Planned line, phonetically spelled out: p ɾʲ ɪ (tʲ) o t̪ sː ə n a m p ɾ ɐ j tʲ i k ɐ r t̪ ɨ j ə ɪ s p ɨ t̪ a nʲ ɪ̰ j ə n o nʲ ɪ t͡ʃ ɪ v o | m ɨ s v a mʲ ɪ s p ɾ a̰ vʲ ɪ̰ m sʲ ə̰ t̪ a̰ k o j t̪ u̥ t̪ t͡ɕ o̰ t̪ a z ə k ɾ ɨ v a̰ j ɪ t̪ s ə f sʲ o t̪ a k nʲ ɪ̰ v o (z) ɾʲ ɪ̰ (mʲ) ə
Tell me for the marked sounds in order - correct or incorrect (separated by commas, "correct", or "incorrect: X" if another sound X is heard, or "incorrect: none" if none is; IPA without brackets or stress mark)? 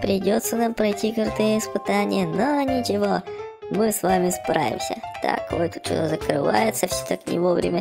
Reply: incorrect: dʲ, incorrect: v, correct